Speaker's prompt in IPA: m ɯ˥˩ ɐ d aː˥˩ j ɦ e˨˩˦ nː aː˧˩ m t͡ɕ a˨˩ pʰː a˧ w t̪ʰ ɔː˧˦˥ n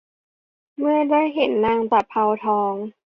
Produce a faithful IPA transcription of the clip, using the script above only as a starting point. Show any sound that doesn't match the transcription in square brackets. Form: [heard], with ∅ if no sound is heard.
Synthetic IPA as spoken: m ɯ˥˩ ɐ d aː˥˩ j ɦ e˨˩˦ nː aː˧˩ [ŋ] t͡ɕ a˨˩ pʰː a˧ w t̪ʰ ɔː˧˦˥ [ŋ]